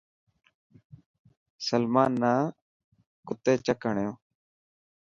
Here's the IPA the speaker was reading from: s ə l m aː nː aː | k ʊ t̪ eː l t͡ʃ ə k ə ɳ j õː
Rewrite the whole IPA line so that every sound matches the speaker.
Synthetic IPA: s ə l m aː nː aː | k ʊ t̪ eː t͡ʃ ə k ə ɳ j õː